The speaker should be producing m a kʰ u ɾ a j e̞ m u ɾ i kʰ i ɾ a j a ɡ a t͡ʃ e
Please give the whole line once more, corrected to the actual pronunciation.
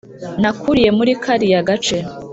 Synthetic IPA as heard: n a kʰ u ɾ i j e̞ m u ɾ i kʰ a ɾ i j a ɡ a t͡ʃ e